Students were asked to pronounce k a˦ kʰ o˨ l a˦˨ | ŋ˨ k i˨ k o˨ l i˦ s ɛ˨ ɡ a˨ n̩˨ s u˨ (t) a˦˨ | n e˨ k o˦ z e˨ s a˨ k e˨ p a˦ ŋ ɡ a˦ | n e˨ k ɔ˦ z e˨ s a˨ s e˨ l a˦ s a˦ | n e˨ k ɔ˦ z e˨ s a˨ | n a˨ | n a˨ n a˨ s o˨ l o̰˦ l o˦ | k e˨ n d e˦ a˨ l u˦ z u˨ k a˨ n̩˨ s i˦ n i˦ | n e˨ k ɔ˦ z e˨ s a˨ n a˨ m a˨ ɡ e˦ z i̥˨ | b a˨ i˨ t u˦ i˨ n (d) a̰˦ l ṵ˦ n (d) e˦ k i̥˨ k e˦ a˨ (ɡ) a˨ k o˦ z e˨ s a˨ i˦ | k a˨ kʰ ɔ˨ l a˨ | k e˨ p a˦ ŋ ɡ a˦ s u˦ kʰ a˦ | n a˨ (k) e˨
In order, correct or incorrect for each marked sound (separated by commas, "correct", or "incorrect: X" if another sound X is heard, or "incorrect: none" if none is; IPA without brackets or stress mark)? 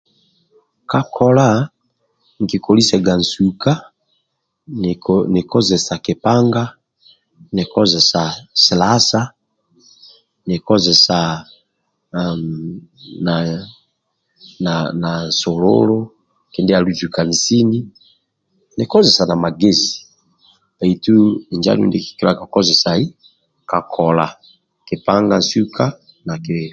incorrect: k, incorrect: d͡ʒ, correct, incorrect: k, correct